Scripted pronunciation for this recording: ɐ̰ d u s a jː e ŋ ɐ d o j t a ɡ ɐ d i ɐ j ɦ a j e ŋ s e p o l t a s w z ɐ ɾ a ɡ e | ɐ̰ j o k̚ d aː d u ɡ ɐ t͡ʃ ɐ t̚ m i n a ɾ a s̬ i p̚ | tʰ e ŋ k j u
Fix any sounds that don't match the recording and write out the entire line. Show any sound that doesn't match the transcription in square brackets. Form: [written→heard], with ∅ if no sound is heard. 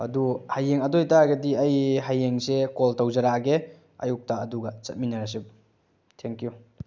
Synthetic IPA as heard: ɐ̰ d u [s→h] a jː e ŋ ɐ d o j t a ɡ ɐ d i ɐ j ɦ a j e ŋ s e [p→k] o l t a [s→∅] w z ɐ ɾ a ɡ e | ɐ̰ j [o→u] k̚ [d→t] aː d u ɡ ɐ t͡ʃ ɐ t̚ m i n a ɾ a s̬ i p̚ | tʰ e ŋ k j u